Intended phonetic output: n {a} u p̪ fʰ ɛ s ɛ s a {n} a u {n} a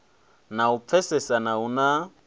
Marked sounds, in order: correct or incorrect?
correct, correct, correct

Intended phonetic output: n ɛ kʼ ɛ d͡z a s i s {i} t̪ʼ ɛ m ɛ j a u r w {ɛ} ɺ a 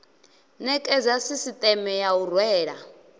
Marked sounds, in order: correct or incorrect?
correct, incorrect: ɛː

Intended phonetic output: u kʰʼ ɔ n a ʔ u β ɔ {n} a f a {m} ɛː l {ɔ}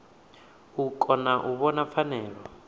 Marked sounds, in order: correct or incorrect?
correct, incorrect: n, correct

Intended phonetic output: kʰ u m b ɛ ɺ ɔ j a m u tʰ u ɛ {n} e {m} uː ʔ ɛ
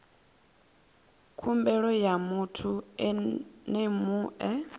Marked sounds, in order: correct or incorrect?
correct, correct

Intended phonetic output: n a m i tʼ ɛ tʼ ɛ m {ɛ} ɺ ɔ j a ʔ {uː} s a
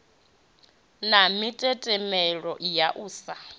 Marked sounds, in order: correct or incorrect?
correct, correct

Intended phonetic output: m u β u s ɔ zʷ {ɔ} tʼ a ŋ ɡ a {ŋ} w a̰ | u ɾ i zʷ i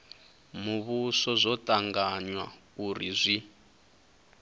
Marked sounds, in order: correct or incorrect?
correct, incorrect: ɲ

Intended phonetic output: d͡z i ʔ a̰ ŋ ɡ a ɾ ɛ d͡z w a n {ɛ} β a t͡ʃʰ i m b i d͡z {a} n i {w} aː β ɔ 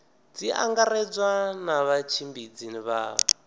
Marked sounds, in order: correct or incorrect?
incorrect: a, incorrect: i, incorrect: β

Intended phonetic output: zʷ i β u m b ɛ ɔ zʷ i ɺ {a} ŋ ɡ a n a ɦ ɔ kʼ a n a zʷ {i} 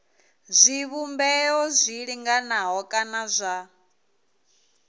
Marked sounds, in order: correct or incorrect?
incorrect: i, incorrect: a

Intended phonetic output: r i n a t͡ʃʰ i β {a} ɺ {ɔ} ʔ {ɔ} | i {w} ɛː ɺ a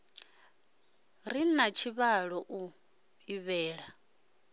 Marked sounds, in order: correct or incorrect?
correct, correct, incorrect: u, incorrect: β

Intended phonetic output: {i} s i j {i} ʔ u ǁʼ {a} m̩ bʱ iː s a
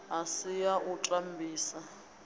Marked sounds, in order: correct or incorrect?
incorrect: a, incorrect: a, correct

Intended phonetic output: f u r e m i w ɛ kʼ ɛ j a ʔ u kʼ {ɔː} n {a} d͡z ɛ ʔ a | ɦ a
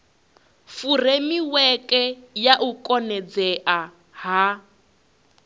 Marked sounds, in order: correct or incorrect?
incorrect: ɔ, incorrect: ɛ

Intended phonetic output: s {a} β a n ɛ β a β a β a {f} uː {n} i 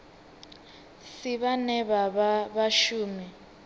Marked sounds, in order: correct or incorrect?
incorrect: i, incorrect: ʃ, incorrect: m

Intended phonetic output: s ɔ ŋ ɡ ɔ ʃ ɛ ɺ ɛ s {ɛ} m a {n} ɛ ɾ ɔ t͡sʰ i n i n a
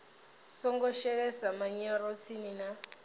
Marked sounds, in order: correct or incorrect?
incorrect: a, incorrect: ɲ

